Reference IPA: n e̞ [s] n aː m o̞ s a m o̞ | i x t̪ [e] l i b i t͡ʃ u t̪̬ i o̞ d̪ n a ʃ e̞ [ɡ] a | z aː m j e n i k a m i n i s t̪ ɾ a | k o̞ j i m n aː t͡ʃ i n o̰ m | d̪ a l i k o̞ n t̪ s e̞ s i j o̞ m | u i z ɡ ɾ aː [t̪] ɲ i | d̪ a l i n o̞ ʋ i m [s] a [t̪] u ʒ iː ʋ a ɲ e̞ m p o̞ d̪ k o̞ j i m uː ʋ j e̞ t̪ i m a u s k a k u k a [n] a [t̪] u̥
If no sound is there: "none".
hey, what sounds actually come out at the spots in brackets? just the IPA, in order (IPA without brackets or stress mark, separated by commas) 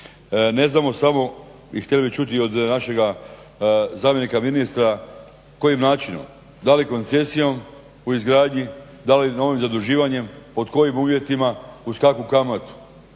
z, e, ɡ, d̪, z, d̪, m, t̪